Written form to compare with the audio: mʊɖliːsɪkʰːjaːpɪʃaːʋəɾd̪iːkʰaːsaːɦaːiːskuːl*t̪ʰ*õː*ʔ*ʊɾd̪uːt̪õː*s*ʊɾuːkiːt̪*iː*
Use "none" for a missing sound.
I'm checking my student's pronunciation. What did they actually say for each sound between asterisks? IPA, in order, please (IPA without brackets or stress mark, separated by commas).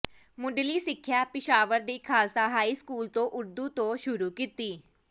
t̪, ʔ, ʃ, iː